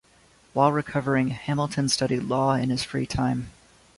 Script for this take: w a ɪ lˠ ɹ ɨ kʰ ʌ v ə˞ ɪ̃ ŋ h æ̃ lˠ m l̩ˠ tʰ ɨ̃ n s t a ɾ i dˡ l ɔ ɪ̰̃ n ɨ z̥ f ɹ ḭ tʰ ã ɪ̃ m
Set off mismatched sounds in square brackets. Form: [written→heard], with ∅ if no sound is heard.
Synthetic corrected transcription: w a ɪ lˠ ɹ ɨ kʰ ʌ v ə˞ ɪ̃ ŋ h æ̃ [lˠ→∅] m l̩ˠ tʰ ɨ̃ n s t [a→ʌ] ɾ i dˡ l ɔ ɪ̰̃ n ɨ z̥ f ɹ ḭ tʰ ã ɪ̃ m

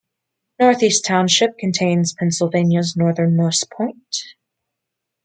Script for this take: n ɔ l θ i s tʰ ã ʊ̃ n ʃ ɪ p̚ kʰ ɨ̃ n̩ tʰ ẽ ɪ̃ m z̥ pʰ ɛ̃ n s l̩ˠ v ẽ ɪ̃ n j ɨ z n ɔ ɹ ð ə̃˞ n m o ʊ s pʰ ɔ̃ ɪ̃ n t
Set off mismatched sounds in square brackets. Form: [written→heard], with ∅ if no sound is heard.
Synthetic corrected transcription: n ɔ [l→ɹ] θ i s tʰ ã ʊ̃ n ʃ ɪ p̚ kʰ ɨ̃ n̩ tʰ ẽ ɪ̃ [m→n] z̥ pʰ ɛ̃ n s l̩ˠ v ẽ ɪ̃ n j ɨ z n ɔ ɹ ð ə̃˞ n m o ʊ s pʰ ɔ̃ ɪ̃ n t

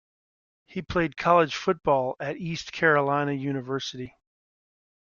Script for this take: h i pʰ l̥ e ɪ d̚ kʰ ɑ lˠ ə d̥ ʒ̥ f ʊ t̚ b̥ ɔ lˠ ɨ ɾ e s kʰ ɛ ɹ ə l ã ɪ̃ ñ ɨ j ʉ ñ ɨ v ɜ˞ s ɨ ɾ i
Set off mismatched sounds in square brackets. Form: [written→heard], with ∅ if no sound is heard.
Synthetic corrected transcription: h i pʰ l̥ e ɪ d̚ kʰ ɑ lˠ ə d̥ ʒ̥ f ʊ t̚ b̥ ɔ lˠ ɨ ɾ [e→i] s kʰ ɛ ɹ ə l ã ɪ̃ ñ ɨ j ʉ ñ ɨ v ɜ˞ s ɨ ɾ i

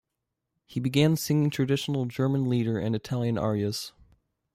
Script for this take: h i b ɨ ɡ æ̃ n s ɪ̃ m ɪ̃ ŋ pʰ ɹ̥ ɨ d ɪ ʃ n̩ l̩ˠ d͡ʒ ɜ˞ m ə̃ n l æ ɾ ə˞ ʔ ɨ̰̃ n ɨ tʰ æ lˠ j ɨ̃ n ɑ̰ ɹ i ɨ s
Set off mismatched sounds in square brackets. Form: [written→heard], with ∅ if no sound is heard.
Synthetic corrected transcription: h i b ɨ ɡ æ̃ n s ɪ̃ [m→ŋ] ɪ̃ ŋ [pʰ→tʰ] ɹ̥ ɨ d ɪ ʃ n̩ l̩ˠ d͡ʒ ɜ˞ m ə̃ n l [æ→i] ɾ ə˞ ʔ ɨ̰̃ n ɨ tʰ æ lˠ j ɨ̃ n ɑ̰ ɹ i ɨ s

